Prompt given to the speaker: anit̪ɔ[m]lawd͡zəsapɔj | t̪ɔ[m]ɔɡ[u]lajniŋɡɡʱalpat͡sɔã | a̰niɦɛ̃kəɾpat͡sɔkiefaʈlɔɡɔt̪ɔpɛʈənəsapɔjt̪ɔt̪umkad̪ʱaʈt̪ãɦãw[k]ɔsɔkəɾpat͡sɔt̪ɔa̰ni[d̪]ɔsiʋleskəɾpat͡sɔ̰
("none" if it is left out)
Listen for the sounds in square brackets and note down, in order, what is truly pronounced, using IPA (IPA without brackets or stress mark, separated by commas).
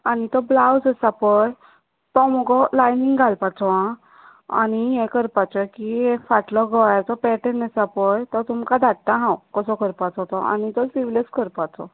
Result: b, m, ɔ, k, t̪